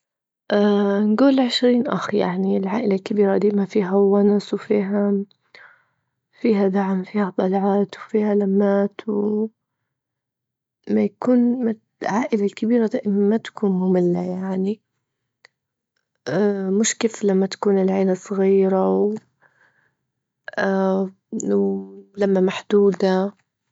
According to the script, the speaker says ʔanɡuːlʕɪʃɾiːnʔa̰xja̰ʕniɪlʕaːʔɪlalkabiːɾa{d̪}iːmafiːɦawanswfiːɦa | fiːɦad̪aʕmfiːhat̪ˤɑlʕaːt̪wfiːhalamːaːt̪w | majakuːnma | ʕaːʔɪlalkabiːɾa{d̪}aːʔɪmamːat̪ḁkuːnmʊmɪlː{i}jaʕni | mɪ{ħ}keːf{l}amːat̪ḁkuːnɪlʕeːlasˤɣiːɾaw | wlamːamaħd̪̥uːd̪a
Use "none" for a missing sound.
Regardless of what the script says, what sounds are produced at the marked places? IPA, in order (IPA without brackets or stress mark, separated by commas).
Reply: d̪, d̪, a, ʃ, l